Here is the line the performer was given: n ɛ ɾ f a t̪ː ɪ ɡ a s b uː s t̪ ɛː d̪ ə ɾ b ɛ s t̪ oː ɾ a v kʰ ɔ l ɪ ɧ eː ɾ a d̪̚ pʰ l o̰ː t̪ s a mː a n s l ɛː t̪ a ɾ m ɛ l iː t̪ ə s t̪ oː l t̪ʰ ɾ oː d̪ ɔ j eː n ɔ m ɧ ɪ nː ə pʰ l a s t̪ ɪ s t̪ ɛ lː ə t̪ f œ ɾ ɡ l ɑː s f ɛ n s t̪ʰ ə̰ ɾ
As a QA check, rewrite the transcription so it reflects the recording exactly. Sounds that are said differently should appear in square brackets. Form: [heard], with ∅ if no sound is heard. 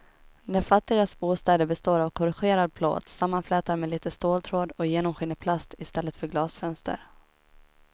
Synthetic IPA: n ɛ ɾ f a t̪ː ɪ ɡ a s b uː s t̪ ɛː d̪ ə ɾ b ɛ s t̪ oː ɾ a v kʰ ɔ [ɾ] ɪ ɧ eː ɾ a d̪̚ pʰ l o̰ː t̪ s a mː a n [f] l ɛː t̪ a ɾ m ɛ l iː t̪ ə s t̪ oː l t̪ʰ ɾ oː d̪ ɔ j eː n ɔ m ɧ ɪ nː ə pʰ l a s t̪ ɪ s t̪ ɛ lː ə t̪ f œ ɾ ɡ l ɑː s f [œ] n s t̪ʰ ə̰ ɾ